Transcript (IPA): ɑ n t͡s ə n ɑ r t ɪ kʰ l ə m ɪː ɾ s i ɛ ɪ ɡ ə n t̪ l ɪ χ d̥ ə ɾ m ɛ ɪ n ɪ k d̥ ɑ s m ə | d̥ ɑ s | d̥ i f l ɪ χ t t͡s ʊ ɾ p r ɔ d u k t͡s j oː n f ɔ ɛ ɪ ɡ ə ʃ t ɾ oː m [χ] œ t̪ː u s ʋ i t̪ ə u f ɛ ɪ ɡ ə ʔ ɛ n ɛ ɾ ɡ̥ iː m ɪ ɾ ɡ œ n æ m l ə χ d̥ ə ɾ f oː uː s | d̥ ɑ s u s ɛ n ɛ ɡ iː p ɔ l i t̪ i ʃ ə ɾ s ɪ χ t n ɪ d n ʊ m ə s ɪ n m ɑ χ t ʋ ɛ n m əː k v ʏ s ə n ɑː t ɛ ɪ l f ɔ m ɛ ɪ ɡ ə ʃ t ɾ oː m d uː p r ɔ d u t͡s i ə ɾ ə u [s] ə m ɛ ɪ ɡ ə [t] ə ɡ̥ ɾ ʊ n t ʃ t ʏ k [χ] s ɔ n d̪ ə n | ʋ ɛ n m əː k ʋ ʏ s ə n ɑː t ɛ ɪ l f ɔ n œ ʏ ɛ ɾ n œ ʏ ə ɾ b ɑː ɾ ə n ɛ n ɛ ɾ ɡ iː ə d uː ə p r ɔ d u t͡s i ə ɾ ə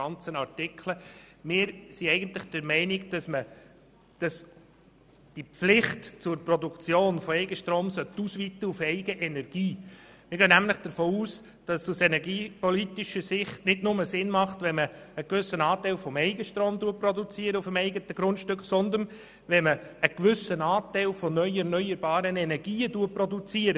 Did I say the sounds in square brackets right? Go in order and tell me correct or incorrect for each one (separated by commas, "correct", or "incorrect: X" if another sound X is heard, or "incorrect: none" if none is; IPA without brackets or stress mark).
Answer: incorrect: s, incorrect: f, correct, correct